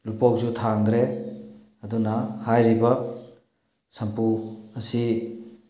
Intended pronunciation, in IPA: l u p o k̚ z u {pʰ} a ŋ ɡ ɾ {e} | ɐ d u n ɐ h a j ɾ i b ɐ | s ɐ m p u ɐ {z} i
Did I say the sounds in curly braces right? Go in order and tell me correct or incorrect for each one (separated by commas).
incorrect, correct, incorrect